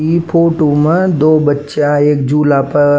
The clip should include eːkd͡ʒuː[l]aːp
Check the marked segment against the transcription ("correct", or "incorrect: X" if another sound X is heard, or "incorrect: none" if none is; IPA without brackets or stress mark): correct